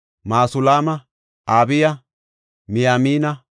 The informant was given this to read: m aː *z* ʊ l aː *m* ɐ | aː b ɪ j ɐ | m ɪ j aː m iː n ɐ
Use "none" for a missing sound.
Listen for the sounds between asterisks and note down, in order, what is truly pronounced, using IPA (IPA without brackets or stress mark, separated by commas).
s, m